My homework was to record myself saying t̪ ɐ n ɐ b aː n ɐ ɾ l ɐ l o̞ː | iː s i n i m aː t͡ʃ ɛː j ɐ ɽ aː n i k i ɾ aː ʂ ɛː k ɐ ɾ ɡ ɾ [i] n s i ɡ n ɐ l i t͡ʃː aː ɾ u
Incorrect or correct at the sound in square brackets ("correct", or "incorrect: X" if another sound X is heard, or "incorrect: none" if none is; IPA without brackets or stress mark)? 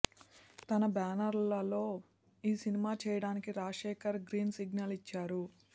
incorrect: iː